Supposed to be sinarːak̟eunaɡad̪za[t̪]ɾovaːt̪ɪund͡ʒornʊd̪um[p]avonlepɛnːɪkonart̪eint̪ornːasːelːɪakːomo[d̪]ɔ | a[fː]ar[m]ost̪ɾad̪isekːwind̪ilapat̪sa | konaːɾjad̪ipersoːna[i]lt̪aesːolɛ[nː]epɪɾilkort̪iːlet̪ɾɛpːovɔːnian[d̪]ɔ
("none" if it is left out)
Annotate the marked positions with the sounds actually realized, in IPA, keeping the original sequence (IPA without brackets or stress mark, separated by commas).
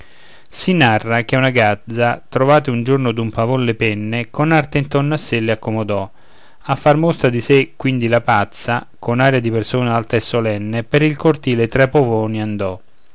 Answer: t̪, p, d̪, fː, m, a, nː, d̪